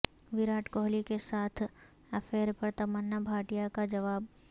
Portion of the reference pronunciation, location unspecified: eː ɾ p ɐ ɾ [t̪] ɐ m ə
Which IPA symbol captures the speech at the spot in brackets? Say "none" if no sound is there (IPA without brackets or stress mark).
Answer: t̪